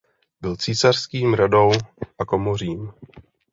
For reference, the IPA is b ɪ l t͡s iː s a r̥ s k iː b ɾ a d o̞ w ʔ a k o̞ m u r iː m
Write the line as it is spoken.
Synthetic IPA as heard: b ɪ l t͡s iː s a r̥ s k iː m ɾ a d o̞ w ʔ a k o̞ m o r iː m